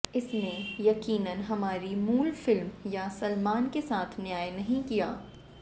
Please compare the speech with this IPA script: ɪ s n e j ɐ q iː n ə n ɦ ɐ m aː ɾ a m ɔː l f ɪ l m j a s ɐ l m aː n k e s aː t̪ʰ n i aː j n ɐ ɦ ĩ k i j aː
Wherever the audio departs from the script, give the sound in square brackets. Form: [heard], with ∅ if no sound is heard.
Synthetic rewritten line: ɪ s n e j ɐ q iː n ə n ɦ ɐ m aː ɾ [i] m [uː] l f ɪ l m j a s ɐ l m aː n k e s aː t̪ʰ n [j] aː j n ɐ ɦ ĩ k i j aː